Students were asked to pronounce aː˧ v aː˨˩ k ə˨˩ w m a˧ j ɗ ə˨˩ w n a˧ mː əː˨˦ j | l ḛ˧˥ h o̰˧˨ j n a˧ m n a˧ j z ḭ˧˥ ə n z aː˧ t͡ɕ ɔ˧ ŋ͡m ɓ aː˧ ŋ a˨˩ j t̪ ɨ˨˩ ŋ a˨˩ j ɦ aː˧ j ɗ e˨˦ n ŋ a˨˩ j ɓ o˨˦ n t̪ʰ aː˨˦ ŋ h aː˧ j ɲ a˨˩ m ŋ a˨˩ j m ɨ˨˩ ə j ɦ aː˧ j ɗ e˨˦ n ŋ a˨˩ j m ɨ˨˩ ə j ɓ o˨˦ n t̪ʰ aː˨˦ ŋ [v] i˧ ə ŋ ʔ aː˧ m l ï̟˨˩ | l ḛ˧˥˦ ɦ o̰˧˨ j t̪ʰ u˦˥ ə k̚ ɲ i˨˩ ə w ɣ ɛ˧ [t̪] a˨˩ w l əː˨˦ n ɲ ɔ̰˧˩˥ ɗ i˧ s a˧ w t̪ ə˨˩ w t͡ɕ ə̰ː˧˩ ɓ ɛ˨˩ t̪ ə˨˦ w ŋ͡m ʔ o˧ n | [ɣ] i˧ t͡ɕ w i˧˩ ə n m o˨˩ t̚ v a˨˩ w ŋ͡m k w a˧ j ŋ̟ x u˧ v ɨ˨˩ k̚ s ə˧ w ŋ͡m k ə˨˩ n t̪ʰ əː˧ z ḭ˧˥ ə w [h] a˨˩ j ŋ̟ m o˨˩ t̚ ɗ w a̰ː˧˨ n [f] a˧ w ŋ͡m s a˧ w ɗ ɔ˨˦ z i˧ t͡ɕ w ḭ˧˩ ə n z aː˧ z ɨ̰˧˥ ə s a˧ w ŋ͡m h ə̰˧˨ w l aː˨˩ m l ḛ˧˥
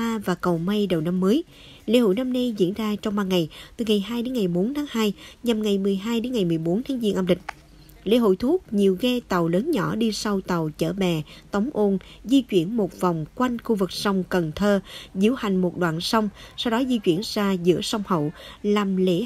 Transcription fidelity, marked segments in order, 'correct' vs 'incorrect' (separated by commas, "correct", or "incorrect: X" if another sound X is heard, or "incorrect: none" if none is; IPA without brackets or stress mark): incorrect: z, correct, incorrect: z, correct, incorrect: s